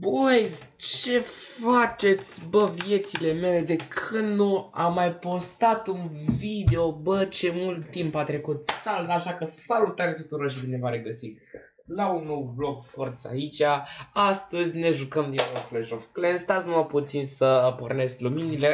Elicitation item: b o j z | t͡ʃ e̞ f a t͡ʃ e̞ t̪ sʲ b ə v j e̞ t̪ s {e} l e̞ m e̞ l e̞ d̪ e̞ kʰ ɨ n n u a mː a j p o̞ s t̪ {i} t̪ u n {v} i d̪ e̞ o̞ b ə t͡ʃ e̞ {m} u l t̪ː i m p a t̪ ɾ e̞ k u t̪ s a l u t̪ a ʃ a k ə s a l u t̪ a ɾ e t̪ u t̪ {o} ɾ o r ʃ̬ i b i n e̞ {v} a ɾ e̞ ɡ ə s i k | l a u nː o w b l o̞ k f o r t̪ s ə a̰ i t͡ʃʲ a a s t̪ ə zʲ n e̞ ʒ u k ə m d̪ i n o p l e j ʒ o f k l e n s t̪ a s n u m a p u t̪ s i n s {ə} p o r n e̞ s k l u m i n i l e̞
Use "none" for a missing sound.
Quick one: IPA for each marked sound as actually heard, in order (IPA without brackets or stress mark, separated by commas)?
i, a, v, m, u, v, ə